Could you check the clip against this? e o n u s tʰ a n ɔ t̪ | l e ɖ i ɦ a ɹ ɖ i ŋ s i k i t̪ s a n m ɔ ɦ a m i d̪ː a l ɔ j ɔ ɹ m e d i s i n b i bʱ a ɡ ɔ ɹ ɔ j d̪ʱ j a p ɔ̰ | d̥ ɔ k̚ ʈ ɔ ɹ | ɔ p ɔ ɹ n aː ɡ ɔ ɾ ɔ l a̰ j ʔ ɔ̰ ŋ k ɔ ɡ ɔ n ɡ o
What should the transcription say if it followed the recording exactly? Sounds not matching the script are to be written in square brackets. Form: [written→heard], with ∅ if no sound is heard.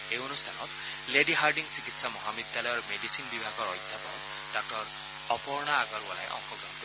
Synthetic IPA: e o n u s tʰ a n ɔ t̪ | l e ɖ i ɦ a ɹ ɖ i ŋ s i k i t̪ s a [n→∅] m ɔ ɦ a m i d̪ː a l ɔ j ɔ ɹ m e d i s i n b i bʱ a ɡ ɔ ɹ ɔ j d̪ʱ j a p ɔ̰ | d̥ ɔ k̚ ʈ ɔ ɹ | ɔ p ɔ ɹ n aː ɡ ɔ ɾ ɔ l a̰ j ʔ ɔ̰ ŋ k ɔ ɡ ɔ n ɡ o